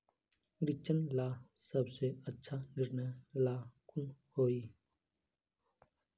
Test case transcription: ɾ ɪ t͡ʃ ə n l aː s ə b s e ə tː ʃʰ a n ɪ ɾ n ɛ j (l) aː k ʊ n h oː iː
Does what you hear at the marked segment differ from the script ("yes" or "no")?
no